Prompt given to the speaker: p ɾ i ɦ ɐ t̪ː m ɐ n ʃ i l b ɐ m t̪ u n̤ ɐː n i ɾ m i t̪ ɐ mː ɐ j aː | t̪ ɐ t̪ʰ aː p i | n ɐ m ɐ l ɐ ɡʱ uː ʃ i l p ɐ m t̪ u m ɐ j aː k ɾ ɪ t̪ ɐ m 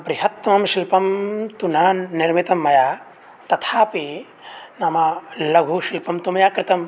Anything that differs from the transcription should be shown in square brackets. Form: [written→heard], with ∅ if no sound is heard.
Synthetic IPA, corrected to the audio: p ɾ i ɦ ɐ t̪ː m ɐ [n→m] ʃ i l [b→p] ɐ m t̪ u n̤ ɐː n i ɾ m i t̪ ɐ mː ɐ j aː | t̪ ɐ t̪ʰ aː p i | n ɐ m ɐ l ɐ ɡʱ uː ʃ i l p ɐ m t̪ u m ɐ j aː k ɾ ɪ t̪ ɐ m